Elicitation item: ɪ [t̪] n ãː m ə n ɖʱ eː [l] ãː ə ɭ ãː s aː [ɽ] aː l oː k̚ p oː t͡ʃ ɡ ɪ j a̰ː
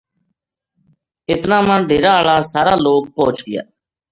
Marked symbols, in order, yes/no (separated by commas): yes, no, no